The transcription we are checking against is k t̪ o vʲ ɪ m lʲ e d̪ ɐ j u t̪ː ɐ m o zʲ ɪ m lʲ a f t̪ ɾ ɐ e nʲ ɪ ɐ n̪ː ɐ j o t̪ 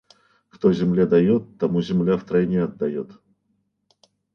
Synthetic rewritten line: k t̪ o zʲ ɪ m lʲ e d̪ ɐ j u t̪ː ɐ m u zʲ ɪ m lʲ a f t̪ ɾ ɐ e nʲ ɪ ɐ d̪ː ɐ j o t̪